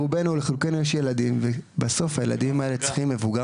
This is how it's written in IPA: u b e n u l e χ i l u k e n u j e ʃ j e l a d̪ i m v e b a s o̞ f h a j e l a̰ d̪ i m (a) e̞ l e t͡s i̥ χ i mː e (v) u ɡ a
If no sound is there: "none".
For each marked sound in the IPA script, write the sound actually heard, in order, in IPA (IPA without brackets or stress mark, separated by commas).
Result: a, v